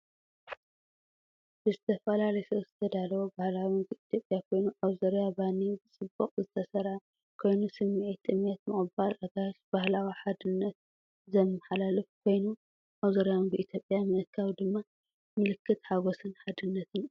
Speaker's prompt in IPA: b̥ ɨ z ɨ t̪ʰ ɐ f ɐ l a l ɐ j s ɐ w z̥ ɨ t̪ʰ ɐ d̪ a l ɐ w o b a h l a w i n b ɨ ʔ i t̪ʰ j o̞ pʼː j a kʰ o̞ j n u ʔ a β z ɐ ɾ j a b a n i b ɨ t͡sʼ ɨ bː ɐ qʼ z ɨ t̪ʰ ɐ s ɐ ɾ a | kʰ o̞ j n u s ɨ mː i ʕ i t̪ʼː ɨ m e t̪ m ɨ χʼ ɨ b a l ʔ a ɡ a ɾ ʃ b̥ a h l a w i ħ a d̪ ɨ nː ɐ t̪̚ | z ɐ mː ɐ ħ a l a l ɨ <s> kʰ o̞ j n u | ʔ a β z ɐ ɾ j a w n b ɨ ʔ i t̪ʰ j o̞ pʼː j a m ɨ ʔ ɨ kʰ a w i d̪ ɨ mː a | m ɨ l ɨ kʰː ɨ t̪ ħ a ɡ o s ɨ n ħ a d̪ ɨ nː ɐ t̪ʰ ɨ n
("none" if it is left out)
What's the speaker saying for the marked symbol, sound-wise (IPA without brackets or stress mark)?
f